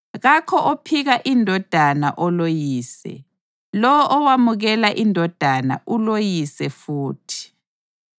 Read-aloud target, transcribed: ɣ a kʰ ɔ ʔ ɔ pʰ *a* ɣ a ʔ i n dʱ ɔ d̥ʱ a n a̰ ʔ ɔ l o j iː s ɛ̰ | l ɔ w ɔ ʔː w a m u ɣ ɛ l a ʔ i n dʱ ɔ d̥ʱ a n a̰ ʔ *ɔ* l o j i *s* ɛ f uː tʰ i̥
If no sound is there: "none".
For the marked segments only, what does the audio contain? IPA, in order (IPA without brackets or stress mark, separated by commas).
i, u, s